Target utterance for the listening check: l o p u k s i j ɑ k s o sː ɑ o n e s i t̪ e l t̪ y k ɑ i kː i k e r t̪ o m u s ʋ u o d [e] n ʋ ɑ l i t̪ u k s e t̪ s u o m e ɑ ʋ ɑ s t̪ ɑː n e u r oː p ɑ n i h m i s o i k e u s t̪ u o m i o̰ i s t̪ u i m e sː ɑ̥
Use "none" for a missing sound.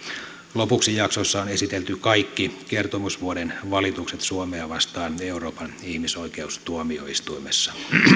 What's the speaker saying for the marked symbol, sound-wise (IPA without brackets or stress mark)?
e